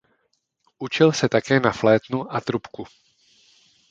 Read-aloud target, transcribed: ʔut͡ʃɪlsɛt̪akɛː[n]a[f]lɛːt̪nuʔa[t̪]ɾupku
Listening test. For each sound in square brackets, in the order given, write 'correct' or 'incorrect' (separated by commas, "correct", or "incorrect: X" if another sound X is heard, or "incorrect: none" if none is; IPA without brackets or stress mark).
correct, correct, correct